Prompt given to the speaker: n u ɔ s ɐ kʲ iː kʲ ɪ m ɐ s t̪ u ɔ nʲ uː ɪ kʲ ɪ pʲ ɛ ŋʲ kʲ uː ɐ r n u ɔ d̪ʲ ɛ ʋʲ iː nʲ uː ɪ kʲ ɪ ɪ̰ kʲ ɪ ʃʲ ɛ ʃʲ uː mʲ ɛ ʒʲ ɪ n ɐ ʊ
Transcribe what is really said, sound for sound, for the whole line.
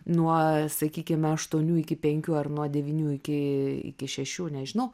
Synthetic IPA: n u ɔ s ɐ kʲ iː kʲ ɪ m ɐ ʃ t̪ u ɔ nʲ uː ɪ kʲ ɪ pʲ ɛ ŋʲ kʲ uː ɐ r n u ɔ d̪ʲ ɛ ʋʲ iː nʲ uː ɪ kʲ ɪ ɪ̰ kʲ ɪ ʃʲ ɛ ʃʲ uː nʲ ɛ ʒʲ ɪ n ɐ ʊ